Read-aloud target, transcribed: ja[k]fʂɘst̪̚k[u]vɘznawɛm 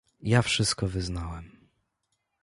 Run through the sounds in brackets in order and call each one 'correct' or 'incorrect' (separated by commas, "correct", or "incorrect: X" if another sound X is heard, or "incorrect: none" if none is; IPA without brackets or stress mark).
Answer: incorrect: none, incorrect: ɔ